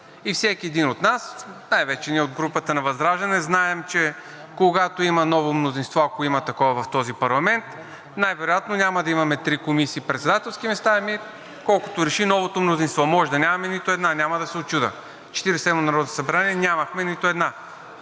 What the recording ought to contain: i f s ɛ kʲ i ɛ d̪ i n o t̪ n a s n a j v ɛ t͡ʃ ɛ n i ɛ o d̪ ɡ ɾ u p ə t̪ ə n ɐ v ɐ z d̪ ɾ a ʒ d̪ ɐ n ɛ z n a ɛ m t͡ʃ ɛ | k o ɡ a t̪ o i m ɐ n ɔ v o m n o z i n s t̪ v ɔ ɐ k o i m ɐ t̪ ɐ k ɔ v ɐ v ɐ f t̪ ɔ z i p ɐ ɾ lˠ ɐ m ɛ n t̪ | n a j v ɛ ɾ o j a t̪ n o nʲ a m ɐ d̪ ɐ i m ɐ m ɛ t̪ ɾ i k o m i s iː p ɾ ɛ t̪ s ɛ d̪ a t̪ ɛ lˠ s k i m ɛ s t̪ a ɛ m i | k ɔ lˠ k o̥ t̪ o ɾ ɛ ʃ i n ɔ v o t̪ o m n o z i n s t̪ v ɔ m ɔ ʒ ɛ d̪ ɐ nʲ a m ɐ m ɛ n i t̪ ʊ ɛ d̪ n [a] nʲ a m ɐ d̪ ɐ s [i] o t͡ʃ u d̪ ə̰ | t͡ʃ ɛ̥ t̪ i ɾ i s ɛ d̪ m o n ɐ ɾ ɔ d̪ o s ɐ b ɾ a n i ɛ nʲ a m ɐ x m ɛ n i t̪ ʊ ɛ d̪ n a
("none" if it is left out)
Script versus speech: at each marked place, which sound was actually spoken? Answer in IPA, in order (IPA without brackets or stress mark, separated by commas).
a, ɛ